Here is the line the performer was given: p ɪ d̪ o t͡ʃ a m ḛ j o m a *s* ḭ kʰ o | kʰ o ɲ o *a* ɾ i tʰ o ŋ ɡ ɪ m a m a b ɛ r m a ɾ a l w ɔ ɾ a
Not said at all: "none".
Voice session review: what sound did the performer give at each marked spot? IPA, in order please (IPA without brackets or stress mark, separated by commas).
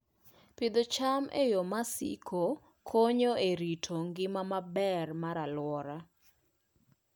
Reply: s, e